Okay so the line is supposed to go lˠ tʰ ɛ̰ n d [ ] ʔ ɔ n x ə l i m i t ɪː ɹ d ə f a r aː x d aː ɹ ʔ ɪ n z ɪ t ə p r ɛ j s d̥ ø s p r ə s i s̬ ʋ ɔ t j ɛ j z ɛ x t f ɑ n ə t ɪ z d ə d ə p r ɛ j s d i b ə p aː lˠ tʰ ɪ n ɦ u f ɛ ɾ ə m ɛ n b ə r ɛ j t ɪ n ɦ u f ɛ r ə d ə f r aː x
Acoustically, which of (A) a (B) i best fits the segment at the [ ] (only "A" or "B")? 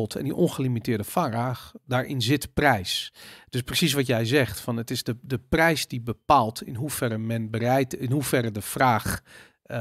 B